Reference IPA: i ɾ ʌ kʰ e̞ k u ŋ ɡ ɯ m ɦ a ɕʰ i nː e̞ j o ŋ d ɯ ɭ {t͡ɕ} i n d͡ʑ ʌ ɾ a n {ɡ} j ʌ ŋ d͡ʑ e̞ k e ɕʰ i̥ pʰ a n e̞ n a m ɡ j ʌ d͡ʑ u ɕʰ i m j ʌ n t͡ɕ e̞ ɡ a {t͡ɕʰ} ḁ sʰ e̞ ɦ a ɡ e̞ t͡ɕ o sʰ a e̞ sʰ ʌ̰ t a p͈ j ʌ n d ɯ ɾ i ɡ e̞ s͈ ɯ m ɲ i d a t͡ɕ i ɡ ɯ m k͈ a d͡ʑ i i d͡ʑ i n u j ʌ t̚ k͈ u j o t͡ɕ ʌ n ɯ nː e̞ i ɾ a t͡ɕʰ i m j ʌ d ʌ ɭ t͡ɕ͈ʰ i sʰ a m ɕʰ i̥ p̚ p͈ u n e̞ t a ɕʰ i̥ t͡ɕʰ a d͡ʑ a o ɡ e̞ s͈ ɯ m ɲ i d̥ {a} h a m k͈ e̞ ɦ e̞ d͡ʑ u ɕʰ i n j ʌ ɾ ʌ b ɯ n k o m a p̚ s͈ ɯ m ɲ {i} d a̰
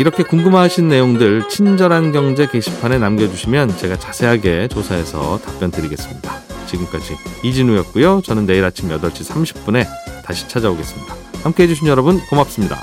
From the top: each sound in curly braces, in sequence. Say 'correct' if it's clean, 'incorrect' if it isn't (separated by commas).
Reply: incorrect, correct, incorrect, correct, correct